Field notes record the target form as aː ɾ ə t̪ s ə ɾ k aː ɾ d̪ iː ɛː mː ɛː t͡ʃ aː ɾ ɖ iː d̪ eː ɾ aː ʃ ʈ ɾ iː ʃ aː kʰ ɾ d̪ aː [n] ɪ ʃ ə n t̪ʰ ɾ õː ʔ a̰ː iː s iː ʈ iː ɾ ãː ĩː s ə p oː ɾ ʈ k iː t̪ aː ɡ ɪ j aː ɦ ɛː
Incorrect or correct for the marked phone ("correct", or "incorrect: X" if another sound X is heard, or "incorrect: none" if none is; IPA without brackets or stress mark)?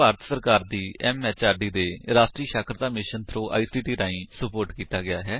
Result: incorrect: m